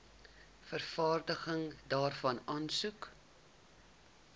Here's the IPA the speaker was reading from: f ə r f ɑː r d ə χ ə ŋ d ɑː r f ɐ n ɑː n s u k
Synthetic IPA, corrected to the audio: f ə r f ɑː r d ə χ ə ŋ d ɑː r f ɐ n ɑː n s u k